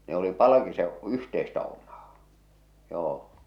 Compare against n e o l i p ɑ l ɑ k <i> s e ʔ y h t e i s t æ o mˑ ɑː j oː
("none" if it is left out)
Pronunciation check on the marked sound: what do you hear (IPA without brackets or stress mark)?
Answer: i